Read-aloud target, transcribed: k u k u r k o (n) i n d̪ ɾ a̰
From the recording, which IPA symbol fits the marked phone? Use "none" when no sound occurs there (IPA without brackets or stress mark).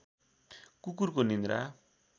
n